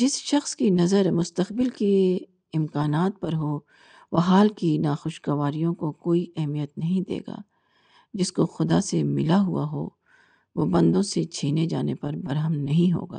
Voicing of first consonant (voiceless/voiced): voiced